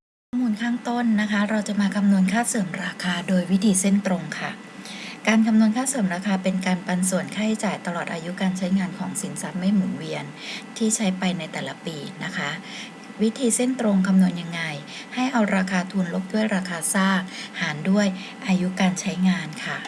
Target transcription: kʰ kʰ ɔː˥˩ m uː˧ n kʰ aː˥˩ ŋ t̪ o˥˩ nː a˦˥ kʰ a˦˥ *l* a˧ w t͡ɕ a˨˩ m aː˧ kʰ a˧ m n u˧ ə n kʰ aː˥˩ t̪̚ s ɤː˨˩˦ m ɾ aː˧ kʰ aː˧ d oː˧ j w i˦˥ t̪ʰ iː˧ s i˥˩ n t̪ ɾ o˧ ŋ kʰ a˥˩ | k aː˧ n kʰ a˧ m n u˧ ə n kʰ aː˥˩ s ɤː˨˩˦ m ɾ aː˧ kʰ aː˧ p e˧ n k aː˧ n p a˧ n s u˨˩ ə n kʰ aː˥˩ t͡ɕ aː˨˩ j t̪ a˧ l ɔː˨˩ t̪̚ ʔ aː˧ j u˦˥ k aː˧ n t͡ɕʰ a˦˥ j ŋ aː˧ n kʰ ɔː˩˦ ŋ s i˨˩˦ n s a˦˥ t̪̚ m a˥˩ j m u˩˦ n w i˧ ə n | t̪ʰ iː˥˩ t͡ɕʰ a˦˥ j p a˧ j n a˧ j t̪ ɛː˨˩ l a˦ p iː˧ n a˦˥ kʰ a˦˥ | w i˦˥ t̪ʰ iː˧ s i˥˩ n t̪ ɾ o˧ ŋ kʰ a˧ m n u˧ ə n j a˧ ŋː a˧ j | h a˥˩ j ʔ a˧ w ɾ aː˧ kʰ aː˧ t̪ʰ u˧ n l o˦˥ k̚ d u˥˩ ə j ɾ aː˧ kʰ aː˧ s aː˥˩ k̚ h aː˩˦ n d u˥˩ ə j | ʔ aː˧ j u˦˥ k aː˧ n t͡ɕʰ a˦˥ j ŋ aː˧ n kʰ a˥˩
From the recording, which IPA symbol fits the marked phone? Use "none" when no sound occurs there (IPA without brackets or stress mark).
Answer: ɾ